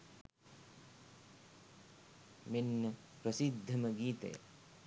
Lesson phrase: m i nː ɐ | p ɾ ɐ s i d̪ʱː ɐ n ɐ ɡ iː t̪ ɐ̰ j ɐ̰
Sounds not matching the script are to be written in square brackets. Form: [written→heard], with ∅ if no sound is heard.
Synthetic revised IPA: m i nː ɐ | p ɾ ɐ s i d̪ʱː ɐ [n→m] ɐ ɡ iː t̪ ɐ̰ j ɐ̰